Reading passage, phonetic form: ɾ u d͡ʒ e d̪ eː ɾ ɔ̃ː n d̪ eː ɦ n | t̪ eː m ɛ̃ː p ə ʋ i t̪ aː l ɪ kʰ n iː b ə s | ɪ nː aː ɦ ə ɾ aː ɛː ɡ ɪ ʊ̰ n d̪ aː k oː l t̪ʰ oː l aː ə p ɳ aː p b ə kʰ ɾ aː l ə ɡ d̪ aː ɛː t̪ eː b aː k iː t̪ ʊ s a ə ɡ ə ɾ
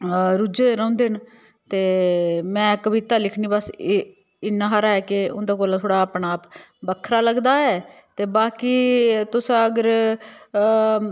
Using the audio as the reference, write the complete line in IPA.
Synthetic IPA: ɾ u d͡ʒ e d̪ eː ɾ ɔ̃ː n d̪ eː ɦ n | t̪ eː m ɛ̃ː k ə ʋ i t̪ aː l ɪ kʰ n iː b ə s | ɪ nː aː ɦ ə ɾ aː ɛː k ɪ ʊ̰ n d̪ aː k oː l t̪ʰ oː ɽ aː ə p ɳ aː p b ə kʰ ɾ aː l ə ɡ d̪ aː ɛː t̪ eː b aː k iː t̪ ʊ s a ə ɡ ə ɾ